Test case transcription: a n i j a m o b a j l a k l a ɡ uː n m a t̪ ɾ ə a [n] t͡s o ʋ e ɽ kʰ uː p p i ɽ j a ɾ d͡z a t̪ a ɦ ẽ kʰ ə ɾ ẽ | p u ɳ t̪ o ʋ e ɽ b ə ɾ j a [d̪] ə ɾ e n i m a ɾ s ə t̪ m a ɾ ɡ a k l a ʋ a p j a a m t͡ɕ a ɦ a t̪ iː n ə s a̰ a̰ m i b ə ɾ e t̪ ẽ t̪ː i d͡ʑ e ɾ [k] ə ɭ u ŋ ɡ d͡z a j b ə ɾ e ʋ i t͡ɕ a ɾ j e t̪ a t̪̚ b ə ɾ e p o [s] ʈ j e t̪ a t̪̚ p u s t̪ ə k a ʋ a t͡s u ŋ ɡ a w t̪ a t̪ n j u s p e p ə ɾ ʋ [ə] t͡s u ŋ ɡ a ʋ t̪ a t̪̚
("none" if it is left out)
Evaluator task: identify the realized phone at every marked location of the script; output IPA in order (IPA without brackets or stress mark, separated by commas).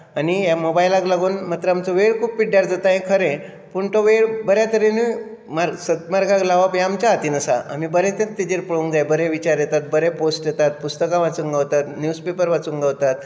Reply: m, t̪, p, s, a